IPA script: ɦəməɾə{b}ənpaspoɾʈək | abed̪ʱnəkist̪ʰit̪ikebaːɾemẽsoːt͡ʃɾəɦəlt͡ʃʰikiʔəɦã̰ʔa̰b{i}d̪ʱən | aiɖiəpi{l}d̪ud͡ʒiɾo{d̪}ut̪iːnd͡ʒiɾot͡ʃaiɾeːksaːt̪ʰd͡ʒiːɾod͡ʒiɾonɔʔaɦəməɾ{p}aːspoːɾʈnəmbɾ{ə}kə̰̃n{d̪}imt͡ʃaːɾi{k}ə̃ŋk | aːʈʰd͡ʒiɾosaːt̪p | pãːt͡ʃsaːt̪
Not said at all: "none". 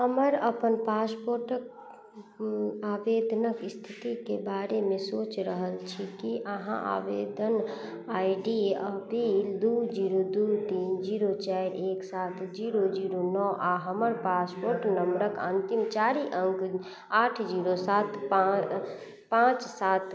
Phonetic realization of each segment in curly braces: p, e, l, d̪, p, ə, t̪, ʔ

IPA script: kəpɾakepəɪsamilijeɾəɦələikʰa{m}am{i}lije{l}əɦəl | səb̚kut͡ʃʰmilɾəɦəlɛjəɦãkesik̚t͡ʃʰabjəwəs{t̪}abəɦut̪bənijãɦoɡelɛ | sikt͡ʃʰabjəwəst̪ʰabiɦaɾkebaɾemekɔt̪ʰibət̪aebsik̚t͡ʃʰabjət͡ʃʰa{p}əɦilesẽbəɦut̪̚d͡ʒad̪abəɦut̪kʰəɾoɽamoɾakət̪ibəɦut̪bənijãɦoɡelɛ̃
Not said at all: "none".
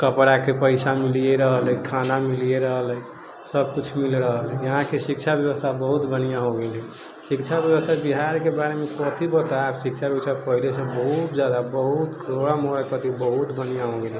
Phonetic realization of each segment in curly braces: n, i, ɾ, t̪ʰ, p

